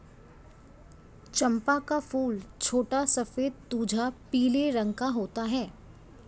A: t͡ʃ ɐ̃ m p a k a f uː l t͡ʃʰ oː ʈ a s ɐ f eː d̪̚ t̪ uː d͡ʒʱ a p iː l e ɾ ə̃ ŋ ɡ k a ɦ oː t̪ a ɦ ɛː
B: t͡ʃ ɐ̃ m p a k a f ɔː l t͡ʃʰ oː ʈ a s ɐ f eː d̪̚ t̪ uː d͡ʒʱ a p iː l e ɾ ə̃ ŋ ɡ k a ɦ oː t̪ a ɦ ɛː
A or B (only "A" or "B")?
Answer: A